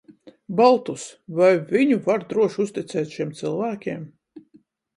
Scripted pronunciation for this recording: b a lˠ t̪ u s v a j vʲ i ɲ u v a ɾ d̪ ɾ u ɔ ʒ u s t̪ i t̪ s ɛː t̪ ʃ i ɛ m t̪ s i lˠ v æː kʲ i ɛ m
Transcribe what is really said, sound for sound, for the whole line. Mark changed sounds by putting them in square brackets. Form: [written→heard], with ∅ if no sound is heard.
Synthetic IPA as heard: b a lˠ t̪ u s v a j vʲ i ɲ u v a ɾ d̪ ɾ u ɔ [ʒ→ʃ] u s t̪ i t̪ s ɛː t̪ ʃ i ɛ m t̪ s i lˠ v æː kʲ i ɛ m